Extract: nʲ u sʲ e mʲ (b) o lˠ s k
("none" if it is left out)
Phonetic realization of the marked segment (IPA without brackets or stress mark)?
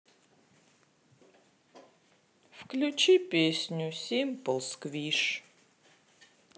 p